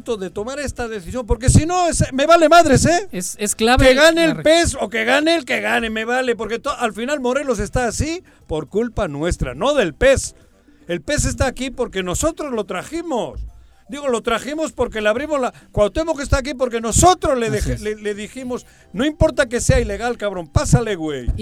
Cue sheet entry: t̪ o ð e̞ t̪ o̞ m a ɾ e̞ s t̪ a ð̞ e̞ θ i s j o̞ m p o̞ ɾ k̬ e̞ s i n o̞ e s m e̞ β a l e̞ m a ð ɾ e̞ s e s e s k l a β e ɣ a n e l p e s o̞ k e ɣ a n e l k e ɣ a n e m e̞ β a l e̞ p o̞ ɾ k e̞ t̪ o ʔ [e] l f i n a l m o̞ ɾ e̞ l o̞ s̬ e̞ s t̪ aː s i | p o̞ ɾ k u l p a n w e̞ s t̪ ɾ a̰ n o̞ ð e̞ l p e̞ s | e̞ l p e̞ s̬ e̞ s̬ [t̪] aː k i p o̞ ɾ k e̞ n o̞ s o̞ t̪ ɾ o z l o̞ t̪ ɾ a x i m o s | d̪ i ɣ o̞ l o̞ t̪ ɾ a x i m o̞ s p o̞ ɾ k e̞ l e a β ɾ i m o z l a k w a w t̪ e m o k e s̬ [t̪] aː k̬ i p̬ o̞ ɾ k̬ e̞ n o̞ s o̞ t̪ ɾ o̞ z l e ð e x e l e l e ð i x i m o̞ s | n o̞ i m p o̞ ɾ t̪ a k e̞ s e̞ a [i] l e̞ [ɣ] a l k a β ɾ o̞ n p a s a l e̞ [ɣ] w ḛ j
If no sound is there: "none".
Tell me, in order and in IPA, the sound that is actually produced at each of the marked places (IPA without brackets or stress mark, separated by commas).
a, t̪, t̪, i, ɣ, ɣ